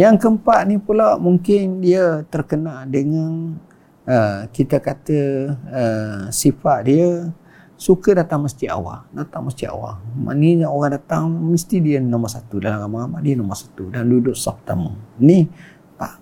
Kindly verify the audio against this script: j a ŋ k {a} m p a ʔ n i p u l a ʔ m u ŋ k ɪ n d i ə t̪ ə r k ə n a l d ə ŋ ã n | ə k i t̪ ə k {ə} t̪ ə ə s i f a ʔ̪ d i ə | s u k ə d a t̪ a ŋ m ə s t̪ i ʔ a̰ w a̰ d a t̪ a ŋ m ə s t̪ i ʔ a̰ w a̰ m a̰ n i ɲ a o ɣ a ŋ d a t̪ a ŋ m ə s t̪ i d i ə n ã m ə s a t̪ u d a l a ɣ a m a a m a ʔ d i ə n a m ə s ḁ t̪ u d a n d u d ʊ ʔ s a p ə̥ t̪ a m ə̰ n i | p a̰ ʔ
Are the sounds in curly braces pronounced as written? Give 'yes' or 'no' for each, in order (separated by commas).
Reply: no, no